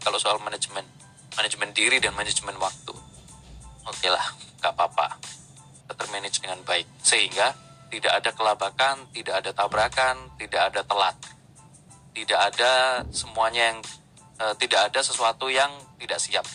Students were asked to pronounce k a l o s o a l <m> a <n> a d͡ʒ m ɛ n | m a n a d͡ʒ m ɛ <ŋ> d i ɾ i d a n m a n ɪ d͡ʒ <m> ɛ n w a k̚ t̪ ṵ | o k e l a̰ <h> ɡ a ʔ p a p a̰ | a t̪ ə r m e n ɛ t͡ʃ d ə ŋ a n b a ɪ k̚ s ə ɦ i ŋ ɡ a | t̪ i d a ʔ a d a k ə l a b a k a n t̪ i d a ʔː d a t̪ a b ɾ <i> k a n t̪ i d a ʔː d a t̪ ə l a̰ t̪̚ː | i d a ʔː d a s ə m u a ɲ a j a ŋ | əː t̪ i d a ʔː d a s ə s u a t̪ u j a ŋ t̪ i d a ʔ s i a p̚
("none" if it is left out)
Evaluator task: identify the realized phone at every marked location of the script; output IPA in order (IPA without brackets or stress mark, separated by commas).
m, n, n, m, h, a